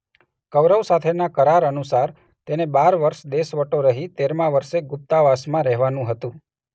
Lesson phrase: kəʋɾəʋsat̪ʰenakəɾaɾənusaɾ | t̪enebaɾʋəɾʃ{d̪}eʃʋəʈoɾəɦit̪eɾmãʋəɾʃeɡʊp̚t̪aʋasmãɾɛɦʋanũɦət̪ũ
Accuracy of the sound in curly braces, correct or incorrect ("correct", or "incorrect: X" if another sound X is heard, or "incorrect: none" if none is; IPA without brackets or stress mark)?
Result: correct